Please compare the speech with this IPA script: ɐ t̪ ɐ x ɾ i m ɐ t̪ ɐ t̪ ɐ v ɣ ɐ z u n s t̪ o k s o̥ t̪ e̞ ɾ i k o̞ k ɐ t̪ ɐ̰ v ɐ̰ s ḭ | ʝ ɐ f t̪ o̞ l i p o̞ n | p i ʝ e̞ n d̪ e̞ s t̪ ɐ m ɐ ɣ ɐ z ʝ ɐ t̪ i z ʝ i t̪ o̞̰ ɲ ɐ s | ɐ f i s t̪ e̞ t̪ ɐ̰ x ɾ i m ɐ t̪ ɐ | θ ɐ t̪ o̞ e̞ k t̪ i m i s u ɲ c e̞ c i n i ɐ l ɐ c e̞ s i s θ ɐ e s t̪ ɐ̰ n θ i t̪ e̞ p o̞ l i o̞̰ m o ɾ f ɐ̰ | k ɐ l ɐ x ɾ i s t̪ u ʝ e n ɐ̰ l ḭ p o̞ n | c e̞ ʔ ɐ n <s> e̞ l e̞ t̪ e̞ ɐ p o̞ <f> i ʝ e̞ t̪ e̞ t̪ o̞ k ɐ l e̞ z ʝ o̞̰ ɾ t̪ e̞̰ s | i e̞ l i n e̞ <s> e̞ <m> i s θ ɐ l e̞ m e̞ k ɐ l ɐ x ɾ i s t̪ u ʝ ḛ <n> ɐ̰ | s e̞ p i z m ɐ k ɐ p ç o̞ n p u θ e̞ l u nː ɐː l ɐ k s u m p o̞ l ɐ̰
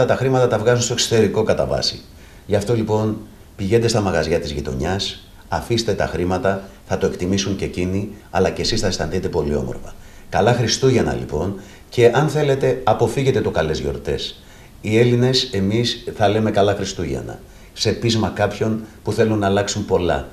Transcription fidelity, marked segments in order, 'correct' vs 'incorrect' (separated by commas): incorrect, correct, correct, correct, correct